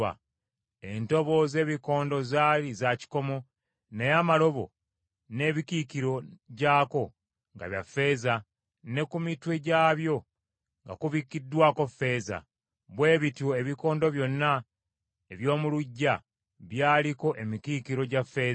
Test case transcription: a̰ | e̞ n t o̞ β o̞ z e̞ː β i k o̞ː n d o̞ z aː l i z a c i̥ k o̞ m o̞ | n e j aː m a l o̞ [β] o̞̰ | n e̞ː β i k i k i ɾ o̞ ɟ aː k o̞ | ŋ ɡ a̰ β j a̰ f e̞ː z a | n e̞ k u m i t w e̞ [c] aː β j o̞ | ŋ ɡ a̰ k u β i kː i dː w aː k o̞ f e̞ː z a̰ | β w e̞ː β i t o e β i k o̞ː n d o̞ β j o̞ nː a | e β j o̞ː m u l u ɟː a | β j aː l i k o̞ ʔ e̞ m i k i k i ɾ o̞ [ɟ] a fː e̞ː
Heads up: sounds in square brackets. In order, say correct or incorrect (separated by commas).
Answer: correct, incorrect, correct